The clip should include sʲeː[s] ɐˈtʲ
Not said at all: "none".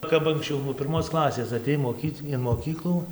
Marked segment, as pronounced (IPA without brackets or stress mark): s